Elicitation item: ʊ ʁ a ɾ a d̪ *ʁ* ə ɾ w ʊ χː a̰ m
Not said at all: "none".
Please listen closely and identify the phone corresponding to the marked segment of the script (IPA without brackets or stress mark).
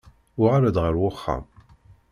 ʁ